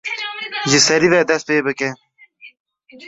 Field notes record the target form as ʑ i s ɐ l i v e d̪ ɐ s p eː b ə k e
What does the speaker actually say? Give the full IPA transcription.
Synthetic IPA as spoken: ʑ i s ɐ ɾ i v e d̪ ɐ s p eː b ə k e